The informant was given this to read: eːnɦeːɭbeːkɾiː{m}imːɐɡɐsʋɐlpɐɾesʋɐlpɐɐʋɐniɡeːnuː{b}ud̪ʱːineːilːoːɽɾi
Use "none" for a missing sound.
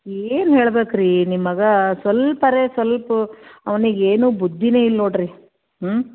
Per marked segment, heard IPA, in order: n, b

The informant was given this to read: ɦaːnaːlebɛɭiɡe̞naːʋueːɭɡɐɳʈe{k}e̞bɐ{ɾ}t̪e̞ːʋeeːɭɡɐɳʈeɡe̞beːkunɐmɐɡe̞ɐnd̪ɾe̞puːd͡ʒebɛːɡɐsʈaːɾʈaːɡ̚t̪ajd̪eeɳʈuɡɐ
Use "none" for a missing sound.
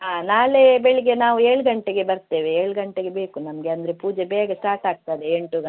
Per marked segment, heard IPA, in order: ɡ, ɾ

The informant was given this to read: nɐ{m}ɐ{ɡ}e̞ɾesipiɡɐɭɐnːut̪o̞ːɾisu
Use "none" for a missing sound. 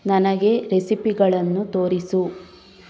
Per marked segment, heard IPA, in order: n, ɡ

